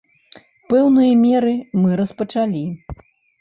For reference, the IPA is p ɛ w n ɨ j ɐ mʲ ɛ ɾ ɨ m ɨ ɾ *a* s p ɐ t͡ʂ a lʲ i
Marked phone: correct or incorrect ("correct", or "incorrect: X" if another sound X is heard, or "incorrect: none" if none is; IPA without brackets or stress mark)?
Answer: incorrect: ɐ